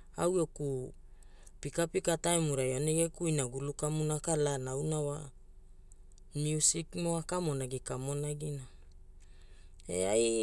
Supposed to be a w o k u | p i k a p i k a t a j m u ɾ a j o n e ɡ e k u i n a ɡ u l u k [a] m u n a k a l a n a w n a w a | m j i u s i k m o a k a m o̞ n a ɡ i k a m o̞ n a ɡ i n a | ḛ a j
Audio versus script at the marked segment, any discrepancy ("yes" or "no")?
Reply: no